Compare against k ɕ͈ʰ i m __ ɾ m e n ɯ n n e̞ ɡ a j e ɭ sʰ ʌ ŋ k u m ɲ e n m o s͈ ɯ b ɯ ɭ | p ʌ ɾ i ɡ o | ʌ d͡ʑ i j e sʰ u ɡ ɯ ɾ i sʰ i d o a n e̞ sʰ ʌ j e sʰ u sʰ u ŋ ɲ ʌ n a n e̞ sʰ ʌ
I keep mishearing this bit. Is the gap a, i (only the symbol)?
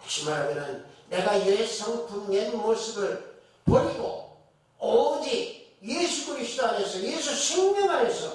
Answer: a